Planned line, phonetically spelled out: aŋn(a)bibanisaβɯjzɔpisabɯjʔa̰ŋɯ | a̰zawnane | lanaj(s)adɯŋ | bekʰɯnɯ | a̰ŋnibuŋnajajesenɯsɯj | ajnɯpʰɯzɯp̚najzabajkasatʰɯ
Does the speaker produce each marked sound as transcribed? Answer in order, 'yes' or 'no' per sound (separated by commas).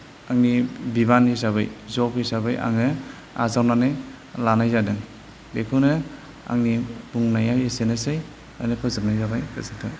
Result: no, no